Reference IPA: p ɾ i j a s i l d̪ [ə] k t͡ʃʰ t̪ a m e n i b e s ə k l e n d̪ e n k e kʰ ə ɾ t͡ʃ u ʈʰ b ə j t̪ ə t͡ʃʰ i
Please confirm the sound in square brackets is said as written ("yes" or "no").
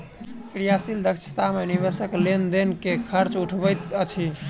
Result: yes